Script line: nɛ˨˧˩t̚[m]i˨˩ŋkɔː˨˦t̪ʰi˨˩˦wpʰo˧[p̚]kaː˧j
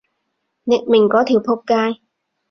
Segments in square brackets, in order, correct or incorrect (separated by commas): correct, correct